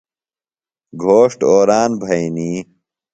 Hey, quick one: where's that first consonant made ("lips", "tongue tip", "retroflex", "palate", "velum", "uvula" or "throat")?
velum